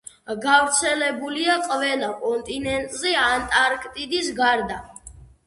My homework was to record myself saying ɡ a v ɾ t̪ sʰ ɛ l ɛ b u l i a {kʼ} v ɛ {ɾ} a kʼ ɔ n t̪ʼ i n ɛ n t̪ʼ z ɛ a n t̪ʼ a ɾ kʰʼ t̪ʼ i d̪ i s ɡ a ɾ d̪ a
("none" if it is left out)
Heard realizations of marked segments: qʼ, l

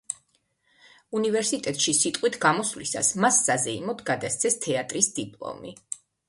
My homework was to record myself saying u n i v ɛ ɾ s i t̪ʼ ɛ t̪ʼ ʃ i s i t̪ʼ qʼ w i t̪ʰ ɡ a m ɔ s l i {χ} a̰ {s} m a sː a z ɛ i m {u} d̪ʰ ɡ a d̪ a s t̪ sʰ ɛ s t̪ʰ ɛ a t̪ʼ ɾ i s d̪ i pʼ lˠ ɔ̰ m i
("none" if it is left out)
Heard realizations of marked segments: s, s, ɔ

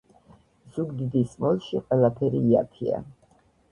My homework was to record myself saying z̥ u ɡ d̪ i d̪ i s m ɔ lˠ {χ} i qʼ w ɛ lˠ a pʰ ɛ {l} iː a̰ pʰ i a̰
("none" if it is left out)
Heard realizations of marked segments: ʃ, ɾ

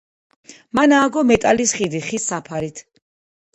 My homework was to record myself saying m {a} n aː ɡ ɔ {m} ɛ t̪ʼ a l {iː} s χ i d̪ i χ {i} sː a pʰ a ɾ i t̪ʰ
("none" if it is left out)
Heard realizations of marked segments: a, m, i, i

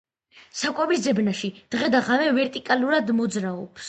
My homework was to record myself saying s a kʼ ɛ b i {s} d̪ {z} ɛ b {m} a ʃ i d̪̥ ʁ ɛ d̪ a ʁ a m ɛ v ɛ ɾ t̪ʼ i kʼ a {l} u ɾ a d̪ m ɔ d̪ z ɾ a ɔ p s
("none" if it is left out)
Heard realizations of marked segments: s, z, n, l

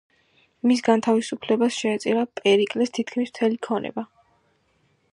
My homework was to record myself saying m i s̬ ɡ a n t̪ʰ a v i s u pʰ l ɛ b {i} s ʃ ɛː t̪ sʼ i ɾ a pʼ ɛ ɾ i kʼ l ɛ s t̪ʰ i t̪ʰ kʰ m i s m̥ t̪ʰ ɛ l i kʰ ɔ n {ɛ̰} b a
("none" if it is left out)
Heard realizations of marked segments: a, ɛ̰

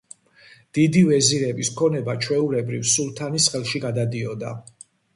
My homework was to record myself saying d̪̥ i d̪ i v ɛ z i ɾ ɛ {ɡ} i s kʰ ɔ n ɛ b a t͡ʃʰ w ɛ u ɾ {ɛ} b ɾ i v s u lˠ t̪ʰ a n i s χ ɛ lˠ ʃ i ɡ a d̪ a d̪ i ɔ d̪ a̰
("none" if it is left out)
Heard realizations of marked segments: b, ɛ

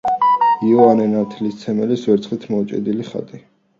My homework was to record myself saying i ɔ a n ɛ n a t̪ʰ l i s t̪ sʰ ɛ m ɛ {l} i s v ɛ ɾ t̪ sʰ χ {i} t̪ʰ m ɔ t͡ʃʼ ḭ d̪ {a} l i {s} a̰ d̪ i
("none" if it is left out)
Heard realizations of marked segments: l, i, i, χ

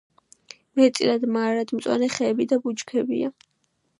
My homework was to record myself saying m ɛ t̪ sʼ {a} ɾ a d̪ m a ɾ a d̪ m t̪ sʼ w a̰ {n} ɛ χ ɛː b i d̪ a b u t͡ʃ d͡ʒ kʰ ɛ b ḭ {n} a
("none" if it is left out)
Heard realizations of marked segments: i, n, none

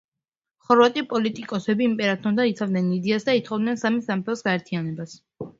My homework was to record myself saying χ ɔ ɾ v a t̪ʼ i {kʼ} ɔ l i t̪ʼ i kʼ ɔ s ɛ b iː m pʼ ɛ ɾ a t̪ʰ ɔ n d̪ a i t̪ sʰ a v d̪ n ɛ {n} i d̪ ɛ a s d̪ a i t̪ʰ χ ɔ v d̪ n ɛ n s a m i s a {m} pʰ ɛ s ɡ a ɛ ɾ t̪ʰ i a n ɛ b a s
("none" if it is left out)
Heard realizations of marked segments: pʼ, n, m

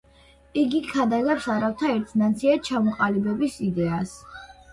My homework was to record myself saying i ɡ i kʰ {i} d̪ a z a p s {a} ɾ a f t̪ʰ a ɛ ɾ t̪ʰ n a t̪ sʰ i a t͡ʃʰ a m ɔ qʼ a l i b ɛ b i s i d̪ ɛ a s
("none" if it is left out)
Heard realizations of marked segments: a, a

